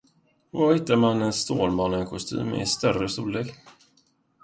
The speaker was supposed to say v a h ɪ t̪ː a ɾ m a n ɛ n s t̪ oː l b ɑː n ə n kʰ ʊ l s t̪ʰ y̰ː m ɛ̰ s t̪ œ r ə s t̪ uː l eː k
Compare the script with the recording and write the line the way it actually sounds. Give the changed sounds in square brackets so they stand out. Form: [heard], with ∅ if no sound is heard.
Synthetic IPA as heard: v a h ɪ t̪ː a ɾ m a n ɛ n s t̪ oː l [m] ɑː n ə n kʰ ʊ [∅] s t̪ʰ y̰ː m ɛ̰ s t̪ œ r ə s t̪ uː l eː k